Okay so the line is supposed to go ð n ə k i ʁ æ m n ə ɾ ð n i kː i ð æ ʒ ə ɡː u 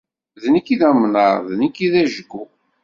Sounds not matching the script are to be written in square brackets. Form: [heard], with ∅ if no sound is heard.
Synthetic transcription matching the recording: ð n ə k i [ð] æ m n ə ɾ ð n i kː i ð æ ʒ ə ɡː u